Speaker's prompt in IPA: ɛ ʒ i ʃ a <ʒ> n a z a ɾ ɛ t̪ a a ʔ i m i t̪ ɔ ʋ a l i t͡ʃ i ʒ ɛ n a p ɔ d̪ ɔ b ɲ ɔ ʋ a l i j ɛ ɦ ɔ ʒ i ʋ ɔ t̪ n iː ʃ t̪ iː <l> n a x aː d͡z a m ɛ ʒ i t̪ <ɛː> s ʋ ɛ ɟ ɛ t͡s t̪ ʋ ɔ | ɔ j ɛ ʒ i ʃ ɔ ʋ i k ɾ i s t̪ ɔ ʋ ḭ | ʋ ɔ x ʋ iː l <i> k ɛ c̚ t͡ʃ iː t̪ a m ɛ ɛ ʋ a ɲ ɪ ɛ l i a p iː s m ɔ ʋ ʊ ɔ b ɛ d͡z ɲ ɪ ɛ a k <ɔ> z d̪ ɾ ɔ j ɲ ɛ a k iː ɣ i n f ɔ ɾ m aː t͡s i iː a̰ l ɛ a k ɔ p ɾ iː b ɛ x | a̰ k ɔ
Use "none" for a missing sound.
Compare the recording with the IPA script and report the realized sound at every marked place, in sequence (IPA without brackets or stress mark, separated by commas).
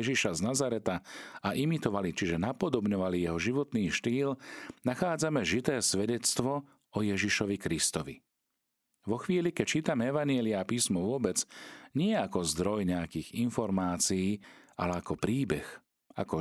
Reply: z, l, ɛː, i, ɔ